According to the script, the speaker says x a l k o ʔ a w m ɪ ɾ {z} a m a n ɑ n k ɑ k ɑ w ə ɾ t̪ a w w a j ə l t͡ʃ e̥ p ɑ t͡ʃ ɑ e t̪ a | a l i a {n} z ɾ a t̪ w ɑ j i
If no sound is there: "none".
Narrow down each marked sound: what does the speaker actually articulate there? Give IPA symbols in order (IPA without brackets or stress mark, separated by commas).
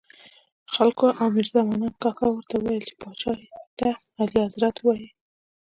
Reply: z, none